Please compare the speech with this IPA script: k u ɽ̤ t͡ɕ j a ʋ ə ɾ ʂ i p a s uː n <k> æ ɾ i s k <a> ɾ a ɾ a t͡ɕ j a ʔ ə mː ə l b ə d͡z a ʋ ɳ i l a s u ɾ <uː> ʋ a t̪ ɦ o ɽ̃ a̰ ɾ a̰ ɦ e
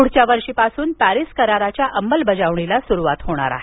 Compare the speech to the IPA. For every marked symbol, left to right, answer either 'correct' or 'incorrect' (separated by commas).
incorrect, incorrect, incorrect